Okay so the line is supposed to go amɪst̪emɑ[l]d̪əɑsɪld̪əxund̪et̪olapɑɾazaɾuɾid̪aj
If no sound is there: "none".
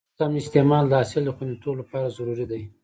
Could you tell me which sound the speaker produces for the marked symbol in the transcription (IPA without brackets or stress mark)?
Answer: l